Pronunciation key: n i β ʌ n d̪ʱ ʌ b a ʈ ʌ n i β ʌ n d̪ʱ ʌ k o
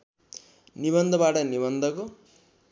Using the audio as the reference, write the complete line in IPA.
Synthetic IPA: n i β ʌ n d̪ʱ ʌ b a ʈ ʌ n i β ʌ n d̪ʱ ʌ k o